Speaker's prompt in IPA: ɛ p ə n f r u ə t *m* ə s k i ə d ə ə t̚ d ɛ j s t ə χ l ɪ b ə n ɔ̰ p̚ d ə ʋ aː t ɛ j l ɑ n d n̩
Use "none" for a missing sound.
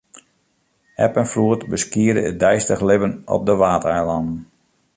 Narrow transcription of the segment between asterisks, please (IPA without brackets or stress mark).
b